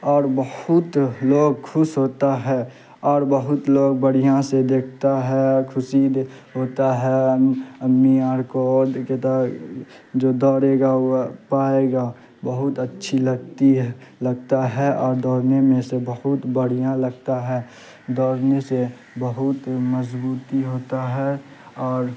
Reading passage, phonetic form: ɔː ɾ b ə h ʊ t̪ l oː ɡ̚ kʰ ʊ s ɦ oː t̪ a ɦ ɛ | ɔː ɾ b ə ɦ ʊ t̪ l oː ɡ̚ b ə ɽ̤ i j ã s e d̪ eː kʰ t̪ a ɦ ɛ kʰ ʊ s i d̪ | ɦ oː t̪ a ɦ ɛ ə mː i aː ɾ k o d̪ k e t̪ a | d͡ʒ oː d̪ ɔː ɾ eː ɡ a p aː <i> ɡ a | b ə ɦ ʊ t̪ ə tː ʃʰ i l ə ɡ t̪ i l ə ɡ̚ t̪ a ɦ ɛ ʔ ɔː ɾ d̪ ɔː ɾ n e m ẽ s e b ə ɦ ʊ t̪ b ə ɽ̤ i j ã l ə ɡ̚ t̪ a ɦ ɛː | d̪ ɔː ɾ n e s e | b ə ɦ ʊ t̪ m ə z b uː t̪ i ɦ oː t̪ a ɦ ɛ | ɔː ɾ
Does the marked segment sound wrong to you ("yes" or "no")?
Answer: yes